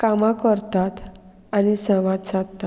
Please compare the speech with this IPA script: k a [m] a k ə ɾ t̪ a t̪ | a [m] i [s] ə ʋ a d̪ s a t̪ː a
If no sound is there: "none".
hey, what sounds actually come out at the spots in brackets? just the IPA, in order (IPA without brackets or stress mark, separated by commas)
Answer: m, n, s